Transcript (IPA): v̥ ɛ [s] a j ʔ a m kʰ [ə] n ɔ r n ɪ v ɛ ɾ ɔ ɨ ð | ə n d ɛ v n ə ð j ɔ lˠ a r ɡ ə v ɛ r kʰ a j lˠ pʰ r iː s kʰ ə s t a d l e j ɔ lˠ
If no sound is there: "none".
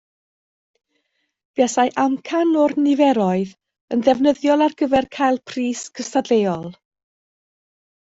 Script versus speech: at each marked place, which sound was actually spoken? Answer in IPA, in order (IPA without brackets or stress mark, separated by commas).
s, a